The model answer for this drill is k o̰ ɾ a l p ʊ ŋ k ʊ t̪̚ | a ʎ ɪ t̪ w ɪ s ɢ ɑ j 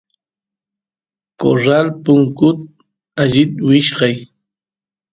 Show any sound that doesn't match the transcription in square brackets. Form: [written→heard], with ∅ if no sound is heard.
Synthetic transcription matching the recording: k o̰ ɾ a l p ʊ ŋ k ʊ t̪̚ | a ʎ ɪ t̪ w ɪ [s→ʃ] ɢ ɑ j